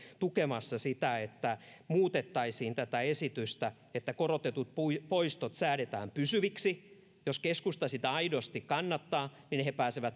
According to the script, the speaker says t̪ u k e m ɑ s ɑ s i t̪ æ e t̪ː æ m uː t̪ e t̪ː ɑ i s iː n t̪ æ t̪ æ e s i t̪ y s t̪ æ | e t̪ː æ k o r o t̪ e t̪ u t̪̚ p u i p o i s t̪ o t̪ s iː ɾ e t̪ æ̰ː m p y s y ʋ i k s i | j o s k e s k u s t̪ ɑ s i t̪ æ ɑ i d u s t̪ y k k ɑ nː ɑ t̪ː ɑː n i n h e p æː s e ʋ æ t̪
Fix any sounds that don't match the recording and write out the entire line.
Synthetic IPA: t̪ u k e m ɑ sː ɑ s i t̪ æ e t̪ː æ m uː t̪ e t̪ː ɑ i s iː n t̪ æ t̪ æ e s i t̪ y s t̪ æ | e t̪ː æ k o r o t̪ e t̪ u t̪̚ p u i p o i s t̪ o t̪ s æː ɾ e t̪ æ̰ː m p y s y ʋ i k s i | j o s k e s k u s t̪ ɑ s i t̪ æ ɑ i d o s t̪ i k k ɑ nː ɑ t̪ː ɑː n i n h e p æː s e ʋ æ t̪

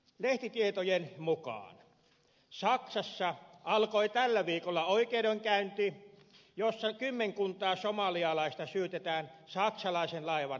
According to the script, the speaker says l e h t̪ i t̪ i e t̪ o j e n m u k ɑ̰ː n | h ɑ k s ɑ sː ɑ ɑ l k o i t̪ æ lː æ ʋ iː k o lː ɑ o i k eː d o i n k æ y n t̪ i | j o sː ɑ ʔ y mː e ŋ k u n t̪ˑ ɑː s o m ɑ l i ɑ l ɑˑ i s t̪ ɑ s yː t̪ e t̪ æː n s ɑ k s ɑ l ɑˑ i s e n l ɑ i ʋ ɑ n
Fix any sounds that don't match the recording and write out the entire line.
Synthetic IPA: l e h t̪ i t̪ i e t̪ o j e n m u k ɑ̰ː n | s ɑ k s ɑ sː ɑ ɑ l k o i t̪ æ lː æ ʋ iː k o lː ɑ o i k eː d o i ŋ k æ y n t̪ i | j o sː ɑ k y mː e ŋ k u n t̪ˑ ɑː s o m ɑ l i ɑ l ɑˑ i s t̪ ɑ s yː t̪ e t̪ æː n s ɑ k s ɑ l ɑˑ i s e n l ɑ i ʋ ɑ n

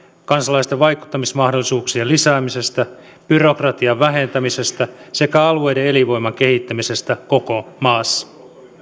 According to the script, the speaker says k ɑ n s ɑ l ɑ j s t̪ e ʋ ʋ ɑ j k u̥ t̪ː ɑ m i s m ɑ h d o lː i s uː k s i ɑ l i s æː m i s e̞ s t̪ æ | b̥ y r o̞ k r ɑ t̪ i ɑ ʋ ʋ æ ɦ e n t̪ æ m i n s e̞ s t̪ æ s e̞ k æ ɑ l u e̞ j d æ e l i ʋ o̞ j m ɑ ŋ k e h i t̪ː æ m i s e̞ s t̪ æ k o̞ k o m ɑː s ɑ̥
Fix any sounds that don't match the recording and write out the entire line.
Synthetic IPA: k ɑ n s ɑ l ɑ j s t̪ e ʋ ʋ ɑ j k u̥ t̪ː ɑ m i s m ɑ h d o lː i s uː k s i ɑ l i s æː m i s e̞ s t̪ æ | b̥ y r o̞ k r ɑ t̪ i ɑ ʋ ʋ æ ɦ e n t̪ æ m i s e̞ s t̪ æ s e̞ k æ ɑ l u e̞ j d e e l i ʋ o̞ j m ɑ ŋ k e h i t̪ː æ m i s e̞ s t̪ æ k o̞ k o m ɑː sː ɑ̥

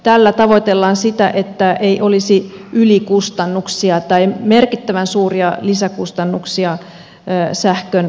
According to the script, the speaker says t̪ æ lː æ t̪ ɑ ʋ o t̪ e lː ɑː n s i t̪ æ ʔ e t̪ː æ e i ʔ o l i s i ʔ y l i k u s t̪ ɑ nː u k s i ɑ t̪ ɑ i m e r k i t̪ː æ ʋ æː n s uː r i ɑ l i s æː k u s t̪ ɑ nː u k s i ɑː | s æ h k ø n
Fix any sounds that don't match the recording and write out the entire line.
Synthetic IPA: t̪ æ lː æ t̪ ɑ ʋ o t̪ e lː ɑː n s i t̪ æ ʔ e t̪ː æ e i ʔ o l i s i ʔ y l i k u s t̪ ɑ nː u k s i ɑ t̪ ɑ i m e r k i t̪ː æ ʋ æ n s uː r i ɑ l i s æ k u s t̪ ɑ nː u k s i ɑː | s æ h k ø n

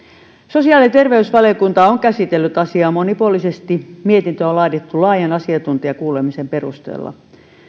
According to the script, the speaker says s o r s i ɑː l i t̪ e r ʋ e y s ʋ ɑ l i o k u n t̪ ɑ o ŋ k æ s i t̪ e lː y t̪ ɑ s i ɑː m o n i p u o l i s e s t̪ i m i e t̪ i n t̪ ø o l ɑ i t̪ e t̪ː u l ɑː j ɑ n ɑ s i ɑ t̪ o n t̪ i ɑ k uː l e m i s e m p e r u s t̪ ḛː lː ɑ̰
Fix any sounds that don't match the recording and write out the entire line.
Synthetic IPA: s o s i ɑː l i t̪ e r ʋ e y s ʋ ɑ l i o k u n t̪ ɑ o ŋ k æ s i t̪ e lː y t̪ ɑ s i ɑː m o n i p u o l i s e s t̪ i m i e t̪ i n t̪ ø o l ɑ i t̪ e t̪ː u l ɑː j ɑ n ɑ s i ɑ t̪ u n t̪ i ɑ k uː l e m i s e m p e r u s t̪ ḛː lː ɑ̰

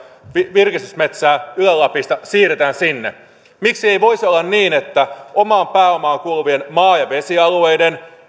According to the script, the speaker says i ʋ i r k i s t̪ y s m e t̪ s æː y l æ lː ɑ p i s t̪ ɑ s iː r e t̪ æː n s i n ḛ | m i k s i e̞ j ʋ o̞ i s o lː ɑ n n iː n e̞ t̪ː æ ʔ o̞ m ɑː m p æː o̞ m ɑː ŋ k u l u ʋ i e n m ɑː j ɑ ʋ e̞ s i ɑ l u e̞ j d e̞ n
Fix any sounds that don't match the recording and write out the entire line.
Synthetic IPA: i ʋ i r k i s t̪ y s m e t̪ s æː y l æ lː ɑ p i s t̪ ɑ s iː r e t̪ æː n s i nː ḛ | m i k s i e̞ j ʋ o̞ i s o lː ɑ n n iː n e̞ t̪ː æ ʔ o̞ m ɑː m p æː o̞ m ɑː ŋ k u l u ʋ i e n m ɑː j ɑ ʋ e̞ s i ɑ l u e̞ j d e̞ n

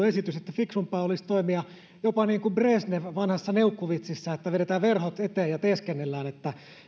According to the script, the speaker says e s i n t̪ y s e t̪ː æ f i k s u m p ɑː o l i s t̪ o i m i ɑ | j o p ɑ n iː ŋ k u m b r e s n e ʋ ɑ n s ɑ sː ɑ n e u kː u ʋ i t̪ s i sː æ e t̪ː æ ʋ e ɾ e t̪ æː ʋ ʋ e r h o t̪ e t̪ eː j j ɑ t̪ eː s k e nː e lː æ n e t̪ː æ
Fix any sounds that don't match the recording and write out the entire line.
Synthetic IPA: e s i t̪ y s e t̪ː æ f i k s u m p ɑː o l i s t̪ o i m i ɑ | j o p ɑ n iː ŋ k u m b r e s n e ʋ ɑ n h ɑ sː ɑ n e u kː u ʋ i t̪ s i sː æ e t̪ː æ ʋ e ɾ e t̪ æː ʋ ʋ e r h o t̪ e t̪ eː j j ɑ t̪ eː s k e nː e lː æː n e t̪ː æ

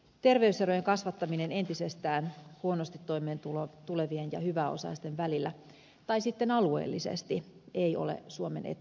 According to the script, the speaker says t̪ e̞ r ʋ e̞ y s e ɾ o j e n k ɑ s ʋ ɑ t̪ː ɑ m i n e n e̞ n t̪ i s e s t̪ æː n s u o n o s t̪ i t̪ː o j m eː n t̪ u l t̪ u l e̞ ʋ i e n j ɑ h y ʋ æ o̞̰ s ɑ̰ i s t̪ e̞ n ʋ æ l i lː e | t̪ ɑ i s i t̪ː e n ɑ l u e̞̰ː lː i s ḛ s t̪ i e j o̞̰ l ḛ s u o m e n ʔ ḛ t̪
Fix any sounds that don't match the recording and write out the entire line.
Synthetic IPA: t̪ e̞ r ʋ e̞ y s e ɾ o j e ŋ k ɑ s ʋ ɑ t̪ː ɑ m i n e n e̞ n t̪ i s e s t̪ æː n h u o n o s t̪ i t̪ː o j m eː n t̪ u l t̪ u l e̞ ʋ i e n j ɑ h y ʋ æ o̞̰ s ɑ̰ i s t̪ e̞ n ʋ æ l i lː æ | t̪ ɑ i s i t̪ː e n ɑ l u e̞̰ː lː i s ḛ s t̪ i e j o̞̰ l ḛ s u o m e n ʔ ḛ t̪

